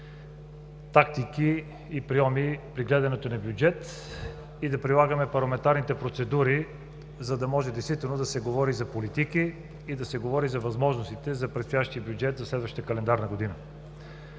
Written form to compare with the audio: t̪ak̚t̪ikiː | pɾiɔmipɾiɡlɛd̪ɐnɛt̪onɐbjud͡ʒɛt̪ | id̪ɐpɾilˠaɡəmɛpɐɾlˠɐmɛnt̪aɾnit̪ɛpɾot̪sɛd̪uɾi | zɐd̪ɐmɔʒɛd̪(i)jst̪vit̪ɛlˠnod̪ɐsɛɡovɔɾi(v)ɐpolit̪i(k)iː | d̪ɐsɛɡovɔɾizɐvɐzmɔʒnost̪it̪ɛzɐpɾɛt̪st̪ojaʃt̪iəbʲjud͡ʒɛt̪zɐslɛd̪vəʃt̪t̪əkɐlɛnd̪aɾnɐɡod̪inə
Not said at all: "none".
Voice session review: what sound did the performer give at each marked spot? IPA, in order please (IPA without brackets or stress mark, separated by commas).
ɛ, z, k